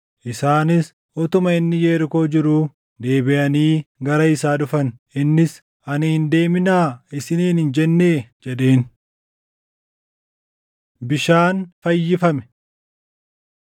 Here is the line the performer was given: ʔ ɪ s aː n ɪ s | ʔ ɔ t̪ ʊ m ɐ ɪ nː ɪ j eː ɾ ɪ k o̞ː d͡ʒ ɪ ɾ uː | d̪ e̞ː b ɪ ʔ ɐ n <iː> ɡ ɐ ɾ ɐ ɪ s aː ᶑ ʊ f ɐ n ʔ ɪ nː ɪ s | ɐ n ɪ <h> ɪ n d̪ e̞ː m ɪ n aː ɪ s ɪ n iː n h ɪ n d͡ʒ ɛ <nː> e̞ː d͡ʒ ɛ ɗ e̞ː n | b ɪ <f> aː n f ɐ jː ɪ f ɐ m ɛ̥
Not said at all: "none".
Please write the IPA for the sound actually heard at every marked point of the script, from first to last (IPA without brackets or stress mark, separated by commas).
iː, h, nː, ʃ